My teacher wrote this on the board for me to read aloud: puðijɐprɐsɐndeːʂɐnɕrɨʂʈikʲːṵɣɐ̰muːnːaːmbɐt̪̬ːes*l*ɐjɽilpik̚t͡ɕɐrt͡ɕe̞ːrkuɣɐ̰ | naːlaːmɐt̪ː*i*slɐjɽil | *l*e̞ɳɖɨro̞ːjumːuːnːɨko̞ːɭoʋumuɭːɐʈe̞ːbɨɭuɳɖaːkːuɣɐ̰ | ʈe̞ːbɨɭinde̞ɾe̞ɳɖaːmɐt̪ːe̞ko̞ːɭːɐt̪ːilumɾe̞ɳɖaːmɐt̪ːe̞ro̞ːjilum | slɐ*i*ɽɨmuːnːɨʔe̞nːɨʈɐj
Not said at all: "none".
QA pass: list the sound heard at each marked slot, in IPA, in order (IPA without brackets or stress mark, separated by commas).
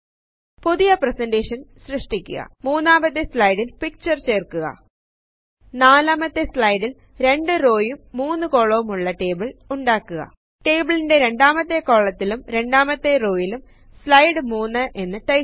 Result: l, e, ɾ, j